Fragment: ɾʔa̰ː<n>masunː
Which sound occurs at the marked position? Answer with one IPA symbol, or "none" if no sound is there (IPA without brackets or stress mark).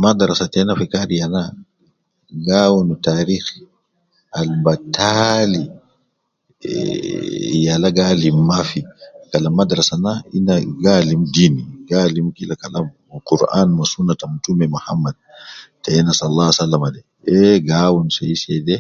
n